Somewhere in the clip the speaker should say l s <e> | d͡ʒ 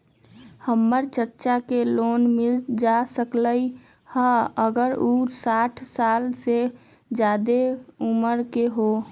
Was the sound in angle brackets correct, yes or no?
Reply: yes